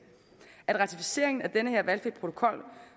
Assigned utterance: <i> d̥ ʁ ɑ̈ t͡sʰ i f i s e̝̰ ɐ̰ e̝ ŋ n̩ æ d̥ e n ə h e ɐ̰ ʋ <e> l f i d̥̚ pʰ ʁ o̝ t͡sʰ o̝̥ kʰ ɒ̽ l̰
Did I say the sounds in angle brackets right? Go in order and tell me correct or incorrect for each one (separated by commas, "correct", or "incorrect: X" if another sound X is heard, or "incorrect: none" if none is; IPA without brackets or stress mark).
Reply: incorrect: æ, incorrect: æ